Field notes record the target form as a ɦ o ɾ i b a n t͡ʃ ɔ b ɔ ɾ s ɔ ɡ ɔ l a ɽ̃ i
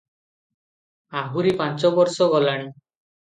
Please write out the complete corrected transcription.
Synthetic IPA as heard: a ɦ u ɾ i p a n t͡ʃ ɔ b ɔ ɾ s ɔ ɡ ɔ l a ɽ̃ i